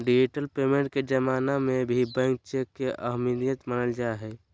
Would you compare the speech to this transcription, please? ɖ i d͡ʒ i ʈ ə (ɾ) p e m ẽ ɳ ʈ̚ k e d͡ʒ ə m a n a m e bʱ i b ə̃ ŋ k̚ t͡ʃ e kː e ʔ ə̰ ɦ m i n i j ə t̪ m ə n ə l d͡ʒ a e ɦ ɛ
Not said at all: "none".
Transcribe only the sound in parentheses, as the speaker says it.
l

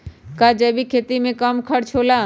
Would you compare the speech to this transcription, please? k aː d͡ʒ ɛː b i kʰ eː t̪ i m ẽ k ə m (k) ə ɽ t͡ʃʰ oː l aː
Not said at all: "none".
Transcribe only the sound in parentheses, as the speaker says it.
kʰ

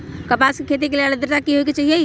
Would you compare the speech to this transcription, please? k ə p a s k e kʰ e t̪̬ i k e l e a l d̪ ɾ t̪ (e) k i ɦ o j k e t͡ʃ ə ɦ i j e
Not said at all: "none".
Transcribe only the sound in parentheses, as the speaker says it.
a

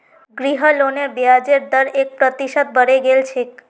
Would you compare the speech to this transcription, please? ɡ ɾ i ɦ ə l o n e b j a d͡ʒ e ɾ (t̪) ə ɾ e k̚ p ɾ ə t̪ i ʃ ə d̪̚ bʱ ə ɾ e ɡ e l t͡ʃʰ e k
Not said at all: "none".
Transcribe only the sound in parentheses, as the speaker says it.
d̪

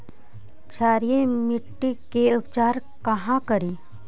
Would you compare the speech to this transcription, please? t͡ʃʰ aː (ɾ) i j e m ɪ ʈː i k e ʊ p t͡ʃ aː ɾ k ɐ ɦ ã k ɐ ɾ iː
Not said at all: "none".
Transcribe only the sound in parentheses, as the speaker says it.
ɾ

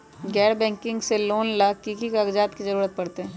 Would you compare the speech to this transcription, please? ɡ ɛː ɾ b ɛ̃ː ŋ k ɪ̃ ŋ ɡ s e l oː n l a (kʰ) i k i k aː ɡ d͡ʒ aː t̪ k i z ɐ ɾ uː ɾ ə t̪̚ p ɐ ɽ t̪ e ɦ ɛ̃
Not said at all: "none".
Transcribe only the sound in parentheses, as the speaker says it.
k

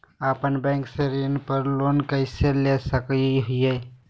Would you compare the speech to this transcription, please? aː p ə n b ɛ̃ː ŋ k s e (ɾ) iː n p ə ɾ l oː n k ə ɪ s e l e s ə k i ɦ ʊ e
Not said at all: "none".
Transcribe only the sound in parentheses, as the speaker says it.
ɾ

